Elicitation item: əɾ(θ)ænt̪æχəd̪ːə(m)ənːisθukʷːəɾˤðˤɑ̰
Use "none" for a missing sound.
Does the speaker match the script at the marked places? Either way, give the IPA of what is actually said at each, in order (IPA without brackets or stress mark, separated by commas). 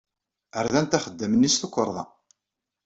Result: ð, m